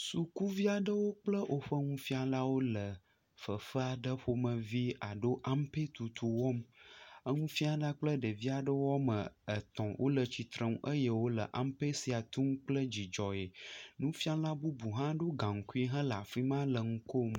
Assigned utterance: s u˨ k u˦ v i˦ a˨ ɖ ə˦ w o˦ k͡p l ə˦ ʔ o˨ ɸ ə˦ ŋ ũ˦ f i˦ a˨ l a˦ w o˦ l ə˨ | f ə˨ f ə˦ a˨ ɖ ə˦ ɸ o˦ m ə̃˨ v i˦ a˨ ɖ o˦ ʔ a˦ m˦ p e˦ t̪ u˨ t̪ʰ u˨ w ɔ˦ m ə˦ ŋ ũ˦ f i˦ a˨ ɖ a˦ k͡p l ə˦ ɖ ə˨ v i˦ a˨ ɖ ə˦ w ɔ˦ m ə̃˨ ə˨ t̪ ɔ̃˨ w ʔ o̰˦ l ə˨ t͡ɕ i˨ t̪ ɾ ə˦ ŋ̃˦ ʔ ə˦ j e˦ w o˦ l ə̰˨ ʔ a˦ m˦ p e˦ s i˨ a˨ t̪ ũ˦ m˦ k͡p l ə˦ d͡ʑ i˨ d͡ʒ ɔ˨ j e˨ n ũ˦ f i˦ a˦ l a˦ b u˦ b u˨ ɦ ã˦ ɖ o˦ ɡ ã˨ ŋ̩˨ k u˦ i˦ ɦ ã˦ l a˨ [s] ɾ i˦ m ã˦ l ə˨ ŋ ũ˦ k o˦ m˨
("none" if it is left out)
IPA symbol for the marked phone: f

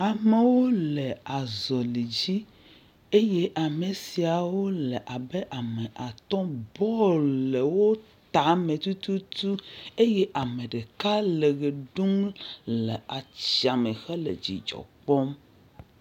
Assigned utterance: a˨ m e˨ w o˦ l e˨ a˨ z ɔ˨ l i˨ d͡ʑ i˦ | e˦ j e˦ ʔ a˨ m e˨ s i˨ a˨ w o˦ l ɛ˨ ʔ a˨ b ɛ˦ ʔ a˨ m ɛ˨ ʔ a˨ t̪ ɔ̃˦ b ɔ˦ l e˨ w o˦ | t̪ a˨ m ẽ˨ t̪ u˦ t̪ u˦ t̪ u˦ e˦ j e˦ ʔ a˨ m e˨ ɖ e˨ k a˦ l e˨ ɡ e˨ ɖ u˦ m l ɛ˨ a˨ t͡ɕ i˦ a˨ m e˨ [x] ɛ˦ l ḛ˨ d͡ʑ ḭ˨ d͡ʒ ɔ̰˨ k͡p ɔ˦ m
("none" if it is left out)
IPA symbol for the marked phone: x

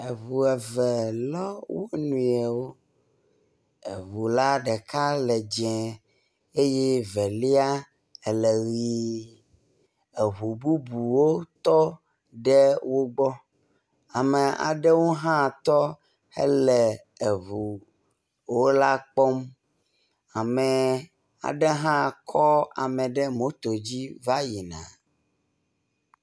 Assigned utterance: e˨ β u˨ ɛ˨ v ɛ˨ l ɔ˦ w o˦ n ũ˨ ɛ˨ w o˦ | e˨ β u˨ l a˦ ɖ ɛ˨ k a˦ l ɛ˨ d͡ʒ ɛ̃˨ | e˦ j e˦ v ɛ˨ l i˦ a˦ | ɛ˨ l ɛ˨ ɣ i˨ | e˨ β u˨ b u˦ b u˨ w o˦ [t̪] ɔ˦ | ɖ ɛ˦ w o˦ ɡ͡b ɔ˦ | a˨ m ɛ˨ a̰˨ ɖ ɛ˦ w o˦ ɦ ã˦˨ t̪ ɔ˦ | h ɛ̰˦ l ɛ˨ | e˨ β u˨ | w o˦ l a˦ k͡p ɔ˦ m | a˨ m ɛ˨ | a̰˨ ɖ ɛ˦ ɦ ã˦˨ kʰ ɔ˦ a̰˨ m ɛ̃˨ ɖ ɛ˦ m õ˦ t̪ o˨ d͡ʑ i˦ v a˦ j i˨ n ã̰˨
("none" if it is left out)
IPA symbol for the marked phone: t̪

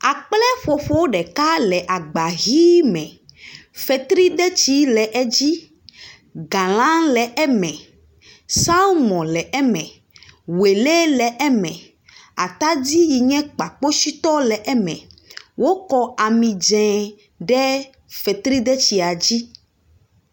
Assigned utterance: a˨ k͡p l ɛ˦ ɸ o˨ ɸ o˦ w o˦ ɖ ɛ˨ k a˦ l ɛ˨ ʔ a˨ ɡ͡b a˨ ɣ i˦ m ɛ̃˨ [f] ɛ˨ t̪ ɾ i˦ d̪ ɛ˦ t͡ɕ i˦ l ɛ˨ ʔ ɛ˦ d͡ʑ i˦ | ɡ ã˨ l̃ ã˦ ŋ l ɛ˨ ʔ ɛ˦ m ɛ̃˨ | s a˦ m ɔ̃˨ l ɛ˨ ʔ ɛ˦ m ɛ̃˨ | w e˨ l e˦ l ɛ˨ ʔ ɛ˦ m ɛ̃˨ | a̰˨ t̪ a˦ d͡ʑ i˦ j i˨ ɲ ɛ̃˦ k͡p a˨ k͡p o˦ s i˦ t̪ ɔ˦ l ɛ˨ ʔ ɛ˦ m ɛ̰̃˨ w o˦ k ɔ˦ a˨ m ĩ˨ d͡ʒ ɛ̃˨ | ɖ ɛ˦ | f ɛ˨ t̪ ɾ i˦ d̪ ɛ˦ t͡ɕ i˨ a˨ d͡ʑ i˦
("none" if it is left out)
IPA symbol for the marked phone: f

